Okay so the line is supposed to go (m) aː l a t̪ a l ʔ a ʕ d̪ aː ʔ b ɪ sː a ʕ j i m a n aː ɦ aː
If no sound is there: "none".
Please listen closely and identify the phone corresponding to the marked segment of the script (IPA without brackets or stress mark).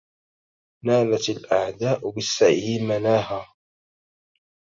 n